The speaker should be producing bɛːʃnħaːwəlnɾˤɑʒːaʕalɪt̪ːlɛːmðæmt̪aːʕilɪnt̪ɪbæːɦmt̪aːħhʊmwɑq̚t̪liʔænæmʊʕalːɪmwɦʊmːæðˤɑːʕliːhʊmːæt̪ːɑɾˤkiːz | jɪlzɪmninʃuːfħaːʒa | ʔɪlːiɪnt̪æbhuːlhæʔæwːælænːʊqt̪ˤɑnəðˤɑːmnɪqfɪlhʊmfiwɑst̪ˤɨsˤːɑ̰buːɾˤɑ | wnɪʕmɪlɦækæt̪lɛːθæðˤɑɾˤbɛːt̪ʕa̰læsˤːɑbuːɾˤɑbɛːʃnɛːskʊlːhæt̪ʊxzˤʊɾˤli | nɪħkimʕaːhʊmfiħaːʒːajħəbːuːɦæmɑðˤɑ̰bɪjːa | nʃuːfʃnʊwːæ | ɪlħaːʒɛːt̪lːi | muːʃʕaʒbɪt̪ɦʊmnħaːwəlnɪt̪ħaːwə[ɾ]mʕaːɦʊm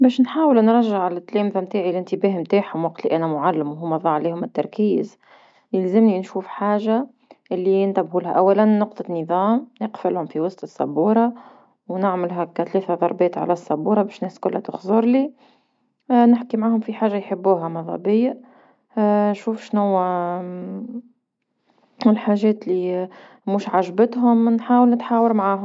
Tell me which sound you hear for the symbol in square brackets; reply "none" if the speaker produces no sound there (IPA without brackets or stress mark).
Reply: ɾ